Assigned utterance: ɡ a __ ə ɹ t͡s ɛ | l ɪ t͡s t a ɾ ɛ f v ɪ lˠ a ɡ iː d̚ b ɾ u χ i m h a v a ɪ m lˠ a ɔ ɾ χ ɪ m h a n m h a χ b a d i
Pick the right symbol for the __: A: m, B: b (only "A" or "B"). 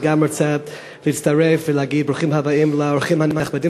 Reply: A